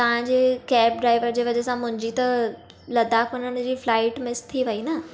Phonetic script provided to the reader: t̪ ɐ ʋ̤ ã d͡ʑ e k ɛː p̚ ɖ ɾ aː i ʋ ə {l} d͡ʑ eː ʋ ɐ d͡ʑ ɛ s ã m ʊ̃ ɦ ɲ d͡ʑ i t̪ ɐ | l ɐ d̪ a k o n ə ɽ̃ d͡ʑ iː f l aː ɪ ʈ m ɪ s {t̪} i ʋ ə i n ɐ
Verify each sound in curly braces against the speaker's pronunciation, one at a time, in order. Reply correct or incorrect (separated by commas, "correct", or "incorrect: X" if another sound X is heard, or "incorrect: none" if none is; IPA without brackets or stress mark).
incorrect: ɾ, incorrect: t̪ʰ